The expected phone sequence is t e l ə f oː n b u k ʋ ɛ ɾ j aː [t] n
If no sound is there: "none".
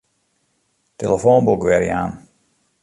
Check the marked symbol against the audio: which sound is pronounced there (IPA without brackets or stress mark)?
none